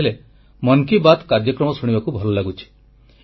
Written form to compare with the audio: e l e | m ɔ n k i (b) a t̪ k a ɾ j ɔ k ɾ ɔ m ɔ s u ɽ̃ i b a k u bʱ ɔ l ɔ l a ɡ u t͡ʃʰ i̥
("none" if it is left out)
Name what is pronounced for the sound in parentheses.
b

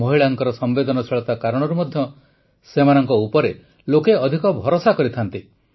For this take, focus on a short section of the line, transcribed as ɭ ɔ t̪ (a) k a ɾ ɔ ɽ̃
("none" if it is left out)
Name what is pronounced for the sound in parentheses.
a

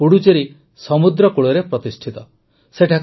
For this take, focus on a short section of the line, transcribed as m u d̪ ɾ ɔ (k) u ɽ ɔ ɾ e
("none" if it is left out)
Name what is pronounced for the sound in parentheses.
k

